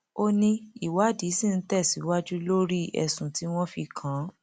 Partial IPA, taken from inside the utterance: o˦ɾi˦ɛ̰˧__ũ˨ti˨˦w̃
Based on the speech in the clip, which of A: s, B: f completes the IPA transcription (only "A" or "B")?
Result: A